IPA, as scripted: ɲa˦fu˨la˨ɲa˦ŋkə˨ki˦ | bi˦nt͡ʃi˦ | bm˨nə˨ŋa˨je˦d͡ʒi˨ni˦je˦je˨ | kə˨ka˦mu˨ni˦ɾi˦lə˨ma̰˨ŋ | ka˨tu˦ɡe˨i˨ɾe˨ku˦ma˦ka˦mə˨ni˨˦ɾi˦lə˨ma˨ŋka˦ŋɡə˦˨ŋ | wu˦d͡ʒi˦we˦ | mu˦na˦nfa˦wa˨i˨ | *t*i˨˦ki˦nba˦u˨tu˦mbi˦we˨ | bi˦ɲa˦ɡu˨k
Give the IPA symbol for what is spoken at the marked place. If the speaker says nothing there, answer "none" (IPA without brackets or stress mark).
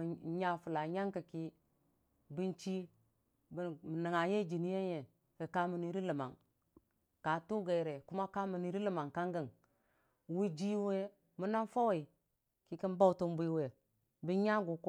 k